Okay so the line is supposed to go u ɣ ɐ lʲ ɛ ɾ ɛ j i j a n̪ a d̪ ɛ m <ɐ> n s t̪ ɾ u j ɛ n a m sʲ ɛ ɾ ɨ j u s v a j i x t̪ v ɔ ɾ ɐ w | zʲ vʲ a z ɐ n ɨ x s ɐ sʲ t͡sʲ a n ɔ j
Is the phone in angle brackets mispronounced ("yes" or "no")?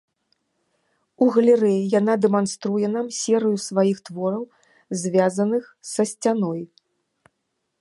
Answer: yes